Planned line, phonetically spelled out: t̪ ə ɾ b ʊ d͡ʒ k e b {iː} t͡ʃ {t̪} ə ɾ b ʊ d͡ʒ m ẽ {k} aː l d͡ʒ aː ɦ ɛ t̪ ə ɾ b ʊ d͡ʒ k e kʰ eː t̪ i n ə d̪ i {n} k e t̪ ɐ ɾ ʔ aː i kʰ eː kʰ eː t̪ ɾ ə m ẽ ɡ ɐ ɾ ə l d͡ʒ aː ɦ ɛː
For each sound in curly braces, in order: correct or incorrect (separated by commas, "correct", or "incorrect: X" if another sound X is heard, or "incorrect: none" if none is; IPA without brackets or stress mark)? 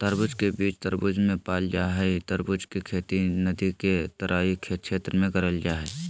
correct, correct, incorrect: p, incorrect: none